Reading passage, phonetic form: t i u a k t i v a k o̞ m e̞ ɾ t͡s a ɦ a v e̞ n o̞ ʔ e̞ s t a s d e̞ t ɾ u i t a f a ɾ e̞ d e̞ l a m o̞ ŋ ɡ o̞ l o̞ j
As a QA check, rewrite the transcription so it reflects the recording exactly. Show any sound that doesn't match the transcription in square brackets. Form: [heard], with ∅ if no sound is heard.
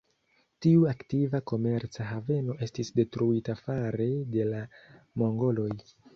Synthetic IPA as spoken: t i u a k t i v a k o̞ m e̞ ɾ t͡s a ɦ a v e̞ n o̞ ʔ e̞ s t [i] s d e̞ t ɾ u i t a f a ɾ e̞ d e̞ l a m o̞ ŋ ɡ o̞ l o̞ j

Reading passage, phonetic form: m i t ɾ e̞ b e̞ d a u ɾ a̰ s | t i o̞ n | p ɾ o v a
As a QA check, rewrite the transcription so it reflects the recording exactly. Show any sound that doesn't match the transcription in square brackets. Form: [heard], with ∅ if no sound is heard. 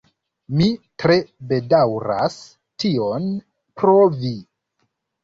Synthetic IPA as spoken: m i t ɾ e̞ b e̞ d a [w] ɾ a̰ s | t i o̞ n | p ɾ o v [i]

